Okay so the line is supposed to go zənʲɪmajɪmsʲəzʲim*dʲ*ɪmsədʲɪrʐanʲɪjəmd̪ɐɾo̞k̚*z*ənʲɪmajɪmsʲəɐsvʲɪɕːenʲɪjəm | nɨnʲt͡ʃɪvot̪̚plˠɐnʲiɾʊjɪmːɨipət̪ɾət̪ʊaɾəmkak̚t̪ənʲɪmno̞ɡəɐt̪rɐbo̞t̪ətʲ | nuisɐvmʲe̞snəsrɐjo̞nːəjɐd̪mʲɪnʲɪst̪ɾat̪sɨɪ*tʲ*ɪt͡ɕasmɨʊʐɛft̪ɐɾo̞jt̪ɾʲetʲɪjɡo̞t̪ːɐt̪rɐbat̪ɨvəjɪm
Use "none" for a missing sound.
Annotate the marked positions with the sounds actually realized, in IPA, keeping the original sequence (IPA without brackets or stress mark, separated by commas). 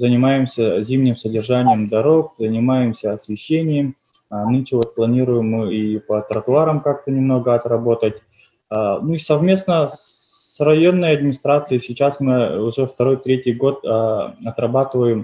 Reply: nʲ, z, sʲ